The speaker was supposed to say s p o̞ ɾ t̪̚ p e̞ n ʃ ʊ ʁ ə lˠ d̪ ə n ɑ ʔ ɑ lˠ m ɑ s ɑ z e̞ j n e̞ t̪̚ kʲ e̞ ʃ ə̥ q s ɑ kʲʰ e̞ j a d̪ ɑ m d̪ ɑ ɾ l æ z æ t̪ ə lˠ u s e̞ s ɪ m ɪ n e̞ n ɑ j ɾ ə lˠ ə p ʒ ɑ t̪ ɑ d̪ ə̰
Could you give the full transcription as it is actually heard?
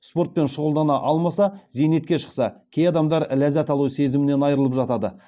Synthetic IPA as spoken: s p o̞ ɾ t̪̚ p e̞ n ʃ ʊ ʁ ə lˠ d̪ ɑ n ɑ ʔ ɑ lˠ m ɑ s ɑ z e̞ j n e̞ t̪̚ kʲ e̞ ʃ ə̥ q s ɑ kʲʰ e̞ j ɑ d̪ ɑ m d̪ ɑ ɾ l æ z æ t̪ ɑ lˠ u s e̞ z ɪ m ɪ n e̞ n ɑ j ɾ ə lˠ ə p ʒ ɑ t̪ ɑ d̪ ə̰